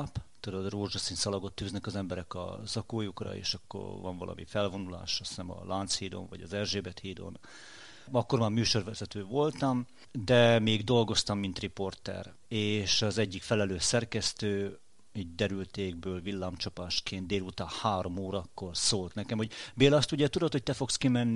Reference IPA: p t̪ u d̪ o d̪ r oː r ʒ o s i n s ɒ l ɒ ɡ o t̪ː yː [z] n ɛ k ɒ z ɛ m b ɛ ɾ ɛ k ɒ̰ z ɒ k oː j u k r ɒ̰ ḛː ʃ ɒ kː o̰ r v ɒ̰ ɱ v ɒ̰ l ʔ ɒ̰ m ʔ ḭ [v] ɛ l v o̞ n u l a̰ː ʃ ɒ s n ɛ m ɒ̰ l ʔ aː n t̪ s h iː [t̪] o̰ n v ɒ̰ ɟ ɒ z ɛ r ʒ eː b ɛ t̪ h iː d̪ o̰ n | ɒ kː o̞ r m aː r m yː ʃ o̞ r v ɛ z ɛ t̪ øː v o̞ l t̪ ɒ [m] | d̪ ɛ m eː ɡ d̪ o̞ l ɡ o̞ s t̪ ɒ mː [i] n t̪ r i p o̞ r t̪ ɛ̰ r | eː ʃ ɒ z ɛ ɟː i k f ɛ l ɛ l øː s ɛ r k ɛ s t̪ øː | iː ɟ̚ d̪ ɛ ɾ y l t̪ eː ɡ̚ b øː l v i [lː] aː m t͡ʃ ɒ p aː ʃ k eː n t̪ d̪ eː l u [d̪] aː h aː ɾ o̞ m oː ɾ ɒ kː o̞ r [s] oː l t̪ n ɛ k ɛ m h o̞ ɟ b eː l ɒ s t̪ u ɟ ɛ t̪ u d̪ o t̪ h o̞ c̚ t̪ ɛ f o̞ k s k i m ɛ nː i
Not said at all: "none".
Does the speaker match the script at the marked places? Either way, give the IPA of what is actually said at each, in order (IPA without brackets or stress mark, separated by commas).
z, f, d̪, m, i, lː, t̪, s